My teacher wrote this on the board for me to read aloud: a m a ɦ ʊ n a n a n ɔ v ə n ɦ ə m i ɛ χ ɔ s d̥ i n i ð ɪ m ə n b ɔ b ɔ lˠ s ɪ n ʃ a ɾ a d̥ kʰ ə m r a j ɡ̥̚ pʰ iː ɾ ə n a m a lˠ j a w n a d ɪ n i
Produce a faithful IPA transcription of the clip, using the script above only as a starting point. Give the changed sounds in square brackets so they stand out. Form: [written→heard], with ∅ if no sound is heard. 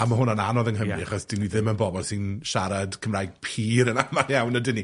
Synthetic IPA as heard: a m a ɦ ʊ n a n a n ɔ [v→ð] ə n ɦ ə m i [ɛ→a] χ ɔ s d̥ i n i ð ɪ m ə n b ɔ b ɔ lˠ s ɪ n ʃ a ɾ a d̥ kʰ ə m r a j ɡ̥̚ pʰ iː ɾ ə n a m a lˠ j a w n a d ɪ n i

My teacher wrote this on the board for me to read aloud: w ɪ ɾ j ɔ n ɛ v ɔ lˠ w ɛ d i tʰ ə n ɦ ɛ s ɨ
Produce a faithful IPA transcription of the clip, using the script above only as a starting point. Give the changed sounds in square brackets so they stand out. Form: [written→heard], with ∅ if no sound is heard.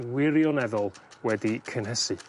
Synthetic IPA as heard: w ɪ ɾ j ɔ n ɛ [v→ð] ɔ lˠ w ɛ d i [tʰ→kʰ] ə n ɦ ɛ s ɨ

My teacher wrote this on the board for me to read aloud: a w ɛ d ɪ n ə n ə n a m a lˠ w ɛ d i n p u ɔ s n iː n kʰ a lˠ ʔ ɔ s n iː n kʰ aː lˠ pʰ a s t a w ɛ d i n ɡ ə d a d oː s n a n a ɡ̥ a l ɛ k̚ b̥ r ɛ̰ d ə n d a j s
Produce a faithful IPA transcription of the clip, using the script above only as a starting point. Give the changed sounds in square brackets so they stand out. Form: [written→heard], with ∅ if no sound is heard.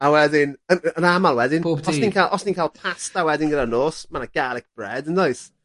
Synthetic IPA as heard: a w ɛ d ɪ n ə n ə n a m a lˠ w ɛ d [i→ɪ] n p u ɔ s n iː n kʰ a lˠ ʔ ɔ s n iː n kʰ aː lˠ pʰ a s t a w ɛ d [i→ɪ] n ɡ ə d a [d→n] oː s [n→m] a n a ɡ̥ a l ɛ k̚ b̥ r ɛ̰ d ə n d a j s

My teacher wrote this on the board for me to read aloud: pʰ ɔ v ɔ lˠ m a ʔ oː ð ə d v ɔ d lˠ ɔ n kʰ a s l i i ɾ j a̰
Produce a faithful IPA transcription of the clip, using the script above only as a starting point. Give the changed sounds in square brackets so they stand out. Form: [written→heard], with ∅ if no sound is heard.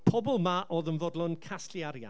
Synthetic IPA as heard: pʰ ɔ [v→b] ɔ lˠ m a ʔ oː ð ə [d→n] v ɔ d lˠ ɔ n kʰ a s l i [i→a] ɾ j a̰

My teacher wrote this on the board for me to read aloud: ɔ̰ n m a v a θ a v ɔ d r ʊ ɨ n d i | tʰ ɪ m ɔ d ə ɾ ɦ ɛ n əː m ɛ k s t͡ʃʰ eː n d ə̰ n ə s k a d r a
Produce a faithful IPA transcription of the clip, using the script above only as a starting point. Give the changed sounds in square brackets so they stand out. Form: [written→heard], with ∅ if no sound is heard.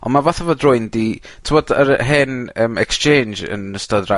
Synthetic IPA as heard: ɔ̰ n m a v a θ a v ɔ d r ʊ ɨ n d i | tʰ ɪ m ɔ d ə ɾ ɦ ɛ n əː m ɛ k s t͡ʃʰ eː n [d→d͡ʒ] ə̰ n ə s [k→t] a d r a

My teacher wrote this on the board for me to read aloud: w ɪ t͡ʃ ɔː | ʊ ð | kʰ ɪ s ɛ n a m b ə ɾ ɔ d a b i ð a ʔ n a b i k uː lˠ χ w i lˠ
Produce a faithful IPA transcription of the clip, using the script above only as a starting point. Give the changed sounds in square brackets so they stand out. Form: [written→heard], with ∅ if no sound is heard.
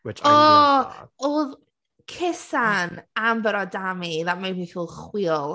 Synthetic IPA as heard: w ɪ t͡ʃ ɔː | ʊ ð | kʰ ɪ s [ɛ→a] n a m b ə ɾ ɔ d a [b→m] i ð a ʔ [n→m] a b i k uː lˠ χ w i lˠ

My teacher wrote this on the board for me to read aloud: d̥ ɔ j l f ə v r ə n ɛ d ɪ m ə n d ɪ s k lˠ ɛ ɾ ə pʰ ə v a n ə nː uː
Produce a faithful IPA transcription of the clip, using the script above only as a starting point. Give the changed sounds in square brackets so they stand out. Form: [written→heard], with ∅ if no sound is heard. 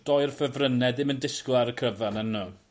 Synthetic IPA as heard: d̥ ɔ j [l→r] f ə v r ə n ɛ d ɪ m ə n d ɪ s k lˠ [ɛ→a] ɾ ə [pʰ→kʰ] ə v a n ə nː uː

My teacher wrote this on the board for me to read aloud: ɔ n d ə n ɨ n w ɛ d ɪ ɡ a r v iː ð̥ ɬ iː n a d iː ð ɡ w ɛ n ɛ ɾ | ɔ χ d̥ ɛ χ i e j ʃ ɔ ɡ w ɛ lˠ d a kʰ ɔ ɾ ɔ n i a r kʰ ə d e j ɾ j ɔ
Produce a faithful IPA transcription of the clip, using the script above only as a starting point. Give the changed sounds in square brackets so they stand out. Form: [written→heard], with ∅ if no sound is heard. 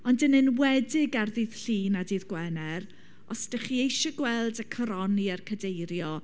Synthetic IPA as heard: ɔ n d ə n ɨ n w ɛ d ɪ ɡ a r [v→ð] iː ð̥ ɬ iː n a d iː ð ɡ w ɛ n ɛ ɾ | ɔ [χ→s] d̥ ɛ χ i e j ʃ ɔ ɡ w ɛ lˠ d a kʰ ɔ ɾ ɔ n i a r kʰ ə d e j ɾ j ɔ

